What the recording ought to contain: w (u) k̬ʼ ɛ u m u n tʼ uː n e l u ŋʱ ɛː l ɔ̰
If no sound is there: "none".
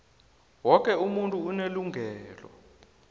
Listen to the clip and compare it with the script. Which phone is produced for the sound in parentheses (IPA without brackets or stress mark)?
ɔ